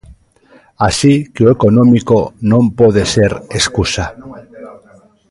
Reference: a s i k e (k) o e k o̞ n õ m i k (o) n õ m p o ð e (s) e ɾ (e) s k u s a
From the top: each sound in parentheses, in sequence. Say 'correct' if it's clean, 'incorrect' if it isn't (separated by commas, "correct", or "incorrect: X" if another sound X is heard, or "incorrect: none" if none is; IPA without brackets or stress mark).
incorrect: none, correct, correct, correct